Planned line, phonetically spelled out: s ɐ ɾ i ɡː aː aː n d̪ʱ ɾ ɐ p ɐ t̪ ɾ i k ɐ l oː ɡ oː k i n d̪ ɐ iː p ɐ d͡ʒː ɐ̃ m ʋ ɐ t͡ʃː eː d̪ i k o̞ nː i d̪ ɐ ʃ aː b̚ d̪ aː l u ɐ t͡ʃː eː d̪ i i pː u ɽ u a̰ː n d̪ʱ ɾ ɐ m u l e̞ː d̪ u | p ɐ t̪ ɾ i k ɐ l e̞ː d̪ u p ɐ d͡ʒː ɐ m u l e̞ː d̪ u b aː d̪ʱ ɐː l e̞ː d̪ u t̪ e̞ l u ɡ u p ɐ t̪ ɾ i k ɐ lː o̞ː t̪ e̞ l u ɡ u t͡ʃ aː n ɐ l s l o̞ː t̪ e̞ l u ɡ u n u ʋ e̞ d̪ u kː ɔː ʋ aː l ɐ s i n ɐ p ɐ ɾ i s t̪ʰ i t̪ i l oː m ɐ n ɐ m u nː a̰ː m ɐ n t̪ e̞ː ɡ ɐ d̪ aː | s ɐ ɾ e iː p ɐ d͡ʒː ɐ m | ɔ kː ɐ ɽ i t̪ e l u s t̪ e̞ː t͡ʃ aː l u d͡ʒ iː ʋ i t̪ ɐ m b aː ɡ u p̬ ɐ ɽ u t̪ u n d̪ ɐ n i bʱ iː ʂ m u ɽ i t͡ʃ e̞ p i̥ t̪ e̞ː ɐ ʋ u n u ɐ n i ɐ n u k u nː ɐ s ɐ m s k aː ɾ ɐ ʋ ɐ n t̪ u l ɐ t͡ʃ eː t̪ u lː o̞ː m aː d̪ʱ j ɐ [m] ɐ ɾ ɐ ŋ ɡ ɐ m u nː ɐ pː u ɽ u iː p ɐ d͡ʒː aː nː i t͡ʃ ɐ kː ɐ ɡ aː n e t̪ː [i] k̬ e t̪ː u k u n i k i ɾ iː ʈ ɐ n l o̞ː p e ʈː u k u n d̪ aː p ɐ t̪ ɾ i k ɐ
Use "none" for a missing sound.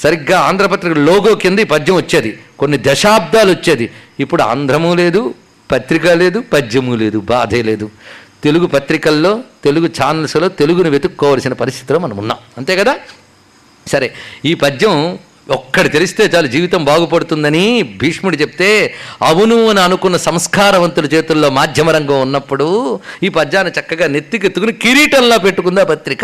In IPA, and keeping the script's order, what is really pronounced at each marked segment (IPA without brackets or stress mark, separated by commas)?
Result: m, i